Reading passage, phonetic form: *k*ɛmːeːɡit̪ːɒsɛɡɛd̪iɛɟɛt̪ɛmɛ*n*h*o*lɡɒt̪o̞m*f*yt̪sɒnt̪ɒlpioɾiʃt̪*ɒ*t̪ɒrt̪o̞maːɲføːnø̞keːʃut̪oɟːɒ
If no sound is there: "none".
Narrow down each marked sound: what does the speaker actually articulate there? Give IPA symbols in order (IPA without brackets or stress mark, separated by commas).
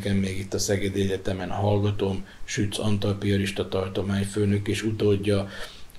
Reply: k, n, ɒ, ʃ, ɒ